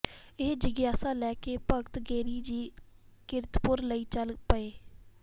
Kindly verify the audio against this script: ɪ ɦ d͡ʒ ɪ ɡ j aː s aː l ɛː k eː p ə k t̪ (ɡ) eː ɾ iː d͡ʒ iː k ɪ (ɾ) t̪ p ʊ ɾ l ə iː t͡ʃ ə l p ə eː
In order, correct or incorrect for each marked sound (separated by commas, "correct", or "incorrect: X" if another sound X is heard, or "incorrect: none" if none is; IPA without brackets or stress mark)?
correct, correct